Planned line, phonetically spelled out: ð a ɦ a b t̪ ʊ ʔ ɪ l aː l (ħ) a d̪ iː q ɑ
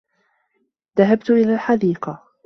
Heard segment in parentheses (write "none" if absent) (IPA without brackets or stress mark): ħ